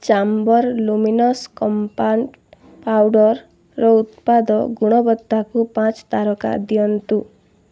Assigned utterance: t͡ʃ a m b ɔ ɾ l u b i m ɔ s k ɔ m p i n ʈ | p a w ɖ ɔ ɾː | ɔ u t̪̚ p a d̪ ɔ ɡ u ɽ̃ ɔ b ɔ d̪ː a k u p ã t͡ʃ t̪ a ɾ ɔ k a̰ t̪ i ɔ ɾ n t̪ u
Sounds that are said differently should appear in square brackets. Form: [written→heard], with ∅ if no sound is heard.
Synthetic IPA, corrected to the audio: t͡ʃ a m b ɔ ɾ l u [b→m] i [m→n] ɔ s k ɔ m p [i→a] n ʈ | p a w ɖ ɔ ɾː | ɔ u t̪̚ p a d̪ ɔ ɡ u ɽ̃ ɔ b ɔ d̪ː a k u p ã t͡ʃ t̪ a ɾ ɔ k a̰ [t̪→d̪] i ɔ [ɾ→∅] n t̪ u